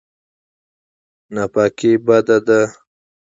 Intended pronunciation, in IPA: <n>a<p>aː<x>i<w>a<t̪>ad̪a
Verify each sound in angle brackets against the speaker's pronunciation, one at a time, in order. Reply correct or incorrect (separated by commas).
correct, correct, incorrect, incorrect, incorrect